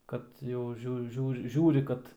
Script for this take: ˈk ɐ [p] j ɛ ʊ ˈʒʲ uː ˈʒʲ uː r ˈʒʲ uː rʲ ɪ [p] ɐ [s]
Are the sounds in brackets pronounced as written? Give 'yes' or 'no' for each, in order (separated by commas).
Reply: no, no, no